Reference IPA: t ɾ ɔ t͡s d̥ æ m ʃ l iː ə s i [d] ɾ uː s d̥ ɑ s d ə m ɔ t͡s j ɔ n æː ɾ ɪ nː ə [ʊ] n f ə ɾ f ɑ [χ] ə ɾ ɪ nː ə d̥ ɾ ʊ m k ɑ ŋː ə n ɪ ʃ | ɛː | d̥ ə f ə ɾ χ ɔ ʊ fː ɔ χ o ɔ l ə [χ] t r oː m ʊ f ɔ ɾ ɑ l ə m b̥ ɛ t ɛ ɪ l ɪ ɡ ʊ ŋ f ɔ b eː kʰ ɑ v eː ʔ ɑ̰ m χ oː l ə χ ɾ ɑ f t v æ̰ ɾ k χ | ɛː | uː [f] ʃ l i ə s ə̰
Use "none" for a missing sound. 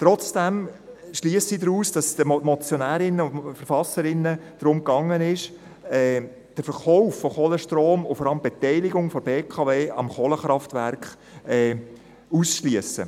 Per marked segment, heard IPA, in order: d, ʊ, s, ʃ, s

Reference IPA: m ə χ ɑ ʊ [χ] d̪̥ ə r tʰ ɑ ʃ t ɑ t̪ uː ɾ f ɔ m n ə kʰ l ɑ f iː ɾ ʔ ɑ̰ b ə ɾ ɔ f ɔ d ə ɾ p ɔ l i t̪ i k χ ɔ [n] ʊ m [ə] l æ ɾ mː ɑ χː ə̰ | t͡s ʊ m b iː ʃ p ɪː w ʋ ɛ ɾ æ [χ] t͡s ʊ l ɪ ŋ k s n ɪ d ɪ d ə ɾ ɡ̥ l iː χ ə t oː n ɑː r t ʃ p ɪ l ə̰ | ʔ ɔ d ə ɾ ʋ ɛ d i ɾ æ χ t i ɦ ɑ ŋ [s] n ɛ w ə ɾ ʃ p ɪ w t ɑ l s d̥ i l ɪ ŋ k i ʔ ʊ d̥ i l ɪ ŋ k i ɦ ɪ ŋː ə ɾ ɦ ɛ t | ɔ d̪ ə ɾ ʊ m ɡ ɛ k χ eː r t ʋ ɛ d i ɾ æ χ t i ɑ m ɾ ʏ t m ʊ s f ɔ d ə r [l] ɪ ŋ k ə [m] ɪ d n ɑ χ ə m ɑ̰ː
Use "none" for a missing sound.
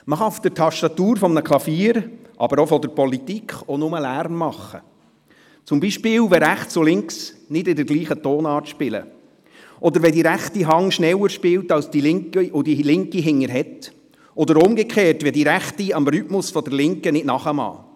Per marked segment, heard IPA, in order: f, n, ə, χ, ʃ, l, n

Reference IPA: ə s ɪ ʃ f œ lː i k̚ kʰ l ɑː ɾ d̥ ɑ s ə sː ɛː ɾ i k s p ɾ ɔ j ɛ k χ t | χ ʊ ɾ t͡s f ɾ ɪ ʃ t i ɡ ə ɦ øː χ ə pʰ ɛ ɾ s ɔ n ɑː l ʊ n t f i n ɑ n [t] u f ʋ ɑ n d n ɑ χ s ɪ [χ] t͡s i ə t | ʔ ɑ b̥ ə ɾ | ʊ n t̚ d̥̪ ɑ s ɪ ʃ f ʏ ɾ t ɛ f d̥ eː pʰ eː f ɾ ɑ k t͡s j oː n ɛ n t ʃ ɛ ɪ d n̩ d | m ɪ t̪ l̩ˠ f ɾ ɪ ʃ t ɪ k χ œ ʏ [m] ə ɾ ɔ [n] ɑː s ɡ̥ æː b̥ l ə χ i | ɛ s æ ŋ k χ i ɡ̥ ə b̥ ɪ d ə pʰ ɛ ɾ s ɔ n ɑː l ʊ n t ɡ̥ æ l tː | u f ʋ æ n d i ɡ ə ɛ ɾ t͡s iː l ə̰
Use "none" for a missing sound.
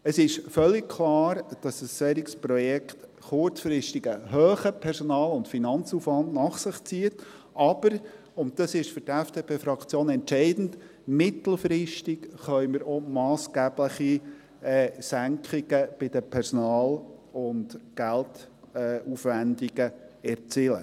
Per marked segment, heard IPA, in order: t͡s, χ, m, m

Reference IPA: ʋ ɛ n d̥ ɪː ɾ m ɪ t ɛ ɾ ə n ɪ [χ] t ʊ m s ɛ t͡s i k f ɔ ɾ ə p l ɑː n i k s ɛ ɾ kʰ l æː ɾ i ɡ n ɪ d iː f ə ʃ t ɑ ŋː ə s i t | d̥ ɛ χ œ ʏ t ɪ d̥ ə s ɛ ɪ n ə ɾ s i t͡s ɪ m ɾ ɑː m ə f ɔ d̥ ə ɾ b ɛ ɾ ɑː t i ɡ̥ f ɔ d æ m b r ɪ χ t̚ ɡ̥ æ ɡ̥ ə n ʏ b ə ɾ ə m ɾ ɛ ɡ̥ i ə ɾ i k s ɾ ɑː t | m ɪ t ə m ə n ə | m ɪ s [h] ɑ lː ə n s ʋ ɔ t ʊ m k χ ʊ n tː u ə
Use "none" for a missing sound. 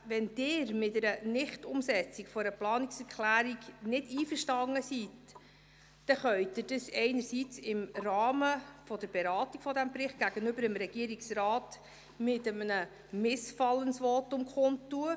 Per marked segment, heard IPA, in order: χ, f

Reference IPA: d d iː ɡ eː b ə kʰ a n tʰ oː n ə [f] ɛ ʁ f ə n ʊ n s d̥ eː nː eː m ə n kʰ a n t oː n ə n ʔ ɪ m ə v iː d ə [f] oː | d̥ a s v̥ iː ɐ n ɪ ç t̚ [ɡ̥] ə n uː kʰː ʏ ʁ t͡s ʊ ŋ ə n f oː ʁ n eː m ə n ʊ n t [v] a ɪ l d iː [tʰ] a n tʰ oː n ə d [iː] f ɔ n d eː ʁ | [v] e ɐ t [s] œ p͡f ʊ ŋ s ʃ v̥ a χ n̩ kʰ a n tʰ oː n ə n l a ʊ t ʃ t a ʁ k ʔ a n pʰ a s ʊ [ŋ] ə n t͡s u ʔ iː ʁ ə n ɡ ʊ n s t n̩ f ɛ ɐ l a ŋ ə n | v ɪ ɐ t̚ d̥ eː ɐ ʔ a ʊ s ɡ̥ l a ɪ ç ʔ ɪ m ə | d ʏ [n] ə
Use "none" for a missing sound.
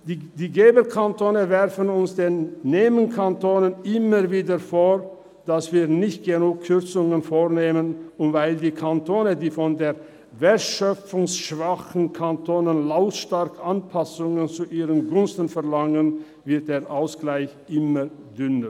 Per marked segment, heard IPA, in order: v, f, ɡ̥, v, kʰ, iː, v, ʃ, ŋ, n

